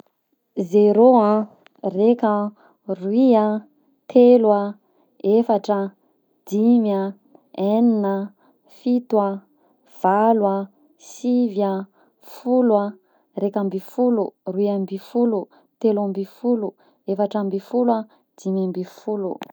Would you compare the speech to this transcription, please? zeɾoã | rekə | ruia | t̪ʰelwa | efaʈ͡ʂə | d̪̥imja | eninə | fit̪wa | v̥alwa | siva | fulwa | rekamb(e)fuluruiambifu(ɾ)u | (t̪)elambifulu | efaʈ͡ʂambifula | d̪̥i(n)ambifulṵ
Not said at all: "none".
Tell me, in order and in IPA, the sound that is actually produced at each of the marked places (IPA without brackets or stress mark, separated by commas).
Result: i, l, t̪, m